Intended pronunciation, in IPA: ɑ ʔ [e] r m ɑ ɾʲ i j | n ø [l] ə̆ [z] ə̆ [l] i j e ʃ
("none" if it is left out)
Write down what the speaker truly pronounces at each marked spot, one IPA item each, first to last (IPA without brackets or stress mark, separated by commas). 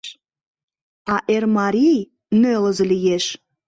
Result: e, l, z, l